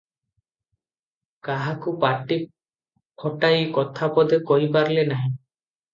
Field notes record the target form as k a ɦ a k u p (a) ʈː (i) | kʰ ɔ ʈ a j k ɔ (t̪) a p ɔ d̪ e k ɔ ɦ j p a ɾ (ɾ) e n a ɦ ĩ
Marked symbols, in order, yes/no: yes, yes, no, no

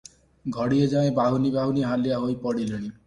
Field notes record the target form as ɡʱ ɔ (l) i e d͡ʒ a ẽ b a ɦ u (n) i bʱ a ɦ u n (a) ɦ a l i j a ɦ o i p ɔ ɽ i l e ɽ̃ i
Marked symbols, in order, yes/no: no, yes, no

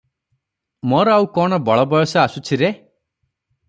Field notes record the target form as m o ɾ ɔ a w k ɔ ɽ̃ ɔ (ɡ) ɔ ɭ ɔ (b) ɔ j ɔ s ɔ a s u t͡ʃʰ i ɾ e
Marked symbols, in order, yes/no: no, yes

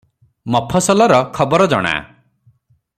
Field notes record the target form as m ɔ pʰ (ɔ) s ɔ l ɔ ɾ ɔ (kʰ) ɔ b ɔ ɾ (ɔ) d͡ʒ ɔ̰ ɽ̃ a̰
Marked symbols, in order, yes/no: yes, yes, yes

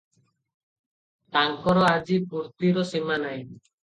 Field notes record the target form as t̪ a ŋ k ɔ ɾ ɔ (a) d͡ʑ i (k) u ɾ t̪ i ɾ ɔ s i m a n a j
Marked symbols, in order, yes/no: yes, no

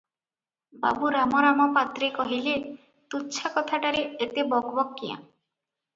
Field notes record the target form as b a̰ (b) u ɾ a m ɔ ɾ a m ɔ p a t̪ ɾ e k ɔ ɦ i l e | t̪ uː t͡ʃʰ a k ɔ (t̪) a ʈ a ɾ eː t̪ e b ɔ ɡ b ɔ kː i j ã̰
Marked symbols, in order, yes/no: yes, no

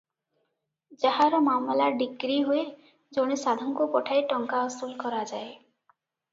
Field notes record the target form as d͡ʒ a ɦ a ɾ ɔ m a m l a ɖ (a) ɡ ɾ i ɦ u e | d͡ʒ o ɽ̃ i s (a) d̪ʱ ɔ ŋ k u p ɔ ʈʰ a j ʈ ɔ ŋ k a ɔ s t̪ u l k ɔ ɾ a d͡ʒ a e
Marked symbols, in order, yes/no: no, yes

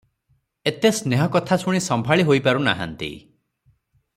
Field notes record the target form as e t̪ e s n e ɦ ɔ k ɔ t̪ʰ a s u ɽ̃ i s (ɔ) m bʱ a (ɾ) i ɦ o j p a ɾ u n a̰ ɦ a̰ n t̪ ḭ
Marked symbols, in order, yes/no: yes, no

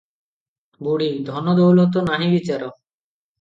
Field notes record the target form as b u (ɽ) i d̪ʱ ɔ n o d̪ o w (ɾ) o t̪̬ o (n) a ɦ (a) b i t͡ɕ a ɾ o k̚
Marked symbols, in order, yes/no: yes, no, yes, no

